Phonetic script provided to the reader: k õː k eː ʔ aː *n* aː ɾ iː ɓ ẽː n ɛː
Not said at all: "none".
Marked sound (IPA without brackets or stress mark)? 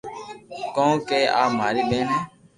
m